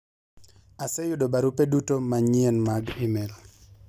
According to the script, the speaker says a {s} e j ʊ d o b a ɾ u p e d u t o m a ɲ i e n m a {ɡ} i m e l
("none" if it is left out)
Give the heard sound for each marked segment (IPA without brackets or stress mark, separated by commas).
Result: s, ɡ